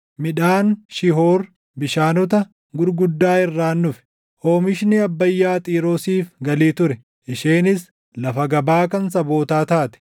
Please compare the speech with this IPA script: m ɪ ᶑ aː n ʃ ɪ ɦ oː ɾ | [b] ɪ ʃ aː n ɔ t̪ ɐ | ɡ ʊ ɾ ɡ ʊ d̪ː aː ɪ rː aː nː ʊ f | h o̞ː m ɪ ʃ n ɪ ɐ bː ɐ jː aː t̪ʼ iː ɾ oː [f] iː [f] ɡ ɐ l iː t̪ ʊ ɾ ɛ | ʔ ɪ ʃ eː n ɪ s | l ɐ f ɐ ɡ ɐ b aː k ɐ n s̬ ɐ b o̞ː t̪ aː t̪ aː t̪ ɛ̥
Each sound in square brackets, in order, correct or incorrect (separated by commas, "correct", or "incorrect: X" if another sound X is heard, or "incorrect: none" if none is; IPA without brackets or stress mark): correct, incorrect: s, correct